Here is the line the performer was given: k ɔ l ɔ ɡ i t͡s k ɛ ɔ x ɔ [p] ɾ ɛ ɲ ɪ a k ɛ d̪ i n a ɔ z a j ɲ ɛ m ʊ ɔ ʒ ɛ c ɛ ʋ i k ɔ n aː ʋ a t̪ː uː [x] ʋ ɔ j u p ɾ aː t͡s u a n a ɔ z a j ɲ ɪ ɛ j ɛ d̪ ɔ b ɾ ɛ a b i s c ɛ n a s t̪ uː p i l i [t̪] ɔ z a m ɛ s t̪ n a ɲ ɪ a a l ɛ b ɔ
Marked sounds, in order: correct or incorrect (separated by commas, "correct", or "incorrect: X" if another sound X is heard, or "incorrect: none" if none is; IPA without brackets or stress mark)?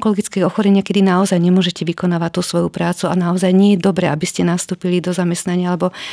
incorrect: none, incorrect: s, incorrect: d̪